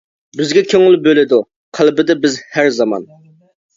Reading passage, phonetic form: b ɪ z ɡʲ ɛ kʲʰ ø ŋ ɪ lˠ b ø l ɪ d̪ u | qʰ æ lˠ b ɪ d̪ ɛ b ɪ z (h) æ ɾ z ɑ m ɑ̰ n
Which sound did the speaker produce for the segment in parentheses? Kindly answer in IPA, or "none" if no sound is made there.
h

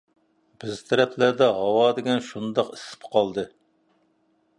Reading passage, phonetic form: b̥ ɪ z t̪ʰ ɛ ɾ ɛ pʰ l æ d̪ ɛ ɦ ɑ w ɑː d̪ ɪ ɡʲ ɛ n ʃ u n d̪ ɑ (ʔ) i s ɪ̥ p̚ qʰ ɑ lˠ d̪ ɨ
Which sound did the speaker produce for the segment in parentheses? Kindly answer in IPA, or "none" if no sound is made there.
q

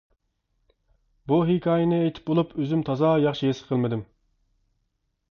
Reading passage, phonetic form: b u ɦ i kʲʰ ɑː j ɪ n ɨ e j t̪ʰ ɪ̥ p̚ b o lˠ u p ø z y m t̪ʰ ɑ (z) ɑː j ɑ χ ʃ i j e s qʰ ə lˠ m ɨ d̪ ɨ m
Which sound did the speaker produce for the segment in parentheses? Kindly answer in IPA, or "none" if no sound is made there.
z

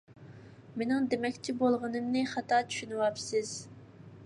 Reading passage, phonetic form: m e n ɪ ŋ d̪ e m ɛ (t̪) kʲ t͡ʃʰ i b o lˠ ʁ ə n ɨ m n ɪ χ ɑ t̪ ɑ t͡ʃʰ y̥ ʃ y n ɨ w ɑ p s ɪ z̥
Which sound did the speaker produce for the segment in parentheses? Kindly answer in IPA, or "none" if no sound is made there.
none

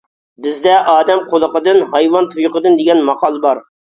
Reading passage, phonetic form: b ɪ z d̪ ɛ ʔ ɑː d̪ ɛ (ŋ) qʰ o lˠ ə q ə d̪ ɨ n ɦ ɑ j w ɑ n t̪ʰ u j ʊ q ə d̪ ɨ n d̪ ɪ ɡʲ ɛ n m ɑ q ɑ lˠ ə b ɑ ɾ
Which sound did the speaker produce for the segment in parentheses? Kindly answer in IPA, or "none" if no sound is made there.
m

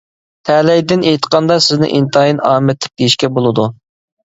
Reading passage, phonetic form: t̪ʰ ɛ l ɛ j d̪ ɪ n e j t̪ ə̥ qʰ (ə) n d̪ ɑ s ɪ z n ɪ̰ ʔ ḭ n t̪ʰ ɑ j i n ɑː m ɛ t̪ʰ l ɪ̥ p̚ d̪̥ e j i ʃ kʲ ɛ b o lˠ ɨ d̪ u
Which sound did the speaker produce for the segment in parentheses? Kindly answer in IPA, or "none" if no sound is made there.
ɑ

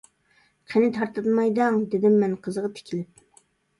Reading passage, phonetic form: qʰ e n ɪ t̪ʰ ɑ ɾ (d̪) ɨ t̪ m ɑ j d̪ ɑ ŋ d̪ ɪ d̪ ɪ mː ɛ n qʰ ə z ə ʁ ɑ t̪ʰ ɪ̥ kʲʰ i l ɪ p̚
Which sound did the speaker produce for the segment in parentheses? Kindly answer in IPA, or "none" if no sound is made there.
t̪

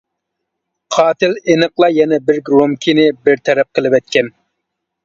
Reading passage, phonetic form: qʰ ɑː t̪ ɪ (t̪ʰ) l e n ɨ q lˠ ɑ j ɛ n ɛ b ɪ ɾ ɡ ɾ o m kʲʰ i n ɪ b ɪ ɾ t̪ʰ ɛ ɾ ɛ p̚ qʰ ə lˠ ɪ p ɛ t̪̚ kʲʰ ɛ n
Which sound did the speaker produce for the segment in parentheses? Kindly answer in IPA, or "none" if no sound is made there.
none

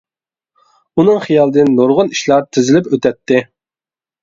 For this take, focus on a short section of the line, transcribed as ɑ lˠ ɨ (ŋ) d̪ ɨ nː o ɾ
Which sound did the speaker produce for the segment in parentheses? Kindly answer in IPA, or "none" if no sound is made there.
none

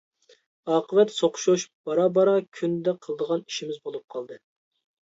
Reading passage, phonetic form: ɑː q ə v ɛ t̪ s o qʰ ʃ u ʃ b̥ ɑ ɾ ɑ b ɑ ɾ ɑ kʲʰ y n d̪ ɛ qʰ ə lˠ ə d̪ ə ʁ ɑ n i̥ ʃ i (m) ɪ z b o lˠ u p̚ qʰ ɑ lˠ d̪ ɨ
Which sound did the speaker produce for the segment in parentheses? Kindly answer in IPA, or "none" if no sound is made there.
m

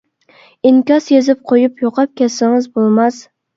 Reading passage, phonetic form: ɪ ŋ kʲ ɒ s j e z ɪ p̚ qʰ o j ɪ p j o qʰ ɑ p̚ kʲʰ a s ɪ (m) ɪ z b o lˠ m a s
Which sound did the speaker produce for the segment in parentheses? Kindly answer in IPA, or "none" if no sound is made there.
ŋ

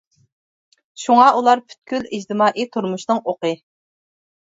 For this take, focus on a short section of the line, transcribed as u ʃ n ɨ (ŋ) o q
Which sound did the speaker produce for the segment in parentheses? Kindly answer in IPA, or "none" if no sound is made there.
ŋ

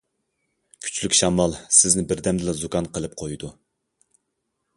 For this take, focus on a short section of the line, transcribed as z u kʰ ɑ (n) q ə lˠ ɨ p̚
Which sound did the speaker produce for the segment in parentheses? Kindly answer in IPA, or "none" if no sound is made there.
n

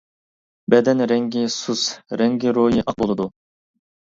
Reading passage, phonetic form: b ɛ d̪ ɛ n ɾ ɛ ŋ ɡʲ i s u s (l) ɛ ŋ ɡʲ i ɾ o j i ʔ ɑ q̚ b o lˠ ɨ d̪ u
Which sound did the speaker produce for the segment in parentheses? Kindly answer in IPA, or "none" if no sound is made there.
ɾ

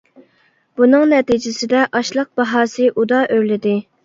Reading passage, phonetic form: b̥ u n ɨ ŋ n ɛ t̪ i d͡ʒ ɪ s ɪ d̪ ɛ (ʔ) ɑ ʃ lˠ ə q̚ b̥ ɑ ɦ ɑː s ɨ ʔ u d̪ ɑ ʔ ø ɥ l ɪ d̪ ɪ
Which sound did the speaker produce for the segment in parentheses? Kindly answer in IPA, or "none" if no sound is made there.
ʔ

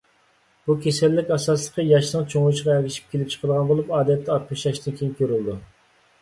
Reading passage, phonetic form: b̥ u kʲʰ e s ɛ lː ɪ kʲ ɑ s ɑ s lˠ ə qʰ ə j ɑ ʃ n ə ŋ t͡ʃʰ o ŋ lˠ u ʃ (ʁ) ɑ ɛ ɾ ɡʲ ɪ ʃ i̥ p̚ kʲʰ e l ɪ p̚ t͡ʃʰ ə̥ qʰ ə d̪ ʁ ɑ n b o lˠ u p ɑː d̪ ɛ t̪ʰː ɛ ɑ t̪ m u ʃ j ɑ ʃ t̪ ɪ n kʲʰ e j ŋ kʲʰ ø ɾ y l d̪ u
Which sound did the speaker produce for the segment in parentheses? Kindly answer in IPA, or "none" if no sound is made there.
ʁ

